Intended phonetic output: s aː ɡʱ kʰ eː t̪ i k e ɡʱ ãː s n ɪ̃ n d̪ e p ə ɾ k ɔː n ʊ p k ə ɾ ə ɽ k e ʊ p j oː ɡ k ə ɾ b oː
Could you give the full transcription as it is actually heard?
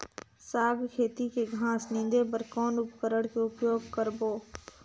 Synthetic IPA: s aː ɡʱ kʰ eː t̪ i k e ɡʱ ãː s n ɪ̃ n d̪ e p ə ɾ k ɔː n ʊ p k ə ɾ ə ɽ k e ʊ p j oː ɡ k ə ɾ b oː

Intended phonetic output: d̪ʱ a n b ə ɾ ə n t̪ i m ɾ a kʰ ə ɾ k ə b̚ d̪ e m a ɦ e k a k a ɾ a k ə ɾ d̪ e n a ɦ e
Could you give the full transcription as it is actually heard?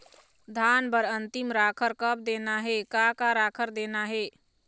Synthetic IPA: d̪ʱ a n b ə ɾ ə n t̪ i m ɾ a kʰ ə ɾ k ə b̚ d̪ e n a ɦ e k a k a ɾ a kʰ ə ɾ d̪ e n a ɦ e

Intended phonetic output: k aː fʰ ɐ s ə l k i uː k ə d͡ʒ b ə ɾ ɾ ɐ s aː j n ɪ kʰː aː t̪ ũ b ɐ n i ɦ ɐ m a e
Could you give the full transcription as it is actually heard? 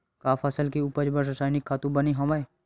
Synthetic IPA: k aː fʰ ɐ s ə l k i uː p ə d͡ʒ b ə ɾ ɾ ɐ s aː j n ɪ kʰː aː t̪ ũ b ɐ n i ɦ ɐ m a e

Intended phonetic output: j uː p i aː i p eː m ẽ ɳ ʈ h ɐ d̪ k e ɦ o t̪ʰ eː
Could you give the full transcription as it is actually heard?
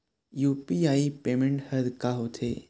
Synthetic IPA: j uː p i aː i p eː m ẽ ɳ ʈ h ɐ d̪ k a ɦ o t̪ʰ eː

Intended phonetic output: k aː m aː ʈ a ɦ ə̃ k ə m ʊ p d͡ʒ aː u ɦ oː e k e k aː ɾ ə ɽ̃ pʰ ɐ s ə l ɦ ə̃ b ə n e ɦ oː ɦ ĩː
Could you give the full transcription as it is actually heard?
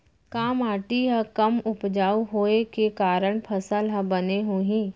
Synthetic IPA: k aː m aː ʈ i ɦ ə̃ k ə m ʊ p d͡ʒ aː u ɦ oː e k e k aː ɾ ə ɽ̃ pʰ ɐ s ə l ɦ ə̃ b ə n e ɦ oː ɦ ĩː

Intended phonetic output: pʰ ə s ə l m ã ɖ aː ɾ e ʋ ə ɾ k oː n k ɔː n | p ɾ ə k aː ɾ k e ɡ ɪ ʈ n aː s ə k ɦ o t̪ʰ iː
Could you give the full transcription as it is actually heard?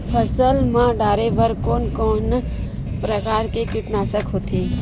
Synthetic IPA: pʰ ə s ə l m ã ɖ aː ɾ e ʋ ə ɾ k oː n k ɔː n | p ɾ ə k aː ɾ k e k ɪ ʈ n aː s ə k ɦ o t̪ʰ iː

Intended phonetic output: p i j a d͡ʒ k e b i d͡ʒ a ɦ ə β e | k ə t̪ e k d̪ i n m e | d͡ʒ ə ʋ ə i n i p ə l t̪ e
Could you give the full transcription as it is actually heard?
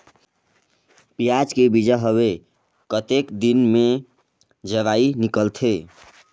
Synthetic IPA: p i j a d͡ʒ k e b i d͡ʒ a ɦ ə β e | k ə t̪ e k d̪ i n m e | d͡ʒ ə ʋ a i n i k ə l t̪ʰ e

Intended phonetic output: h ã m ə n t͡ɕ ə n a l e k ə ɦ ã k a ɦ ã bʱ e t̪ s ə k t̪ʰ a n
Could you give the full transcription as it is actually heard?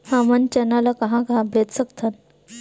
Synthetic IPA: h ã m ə n t͡ɕ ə n a l a k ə ɦ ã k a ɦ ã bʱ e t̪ s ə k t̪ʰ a n

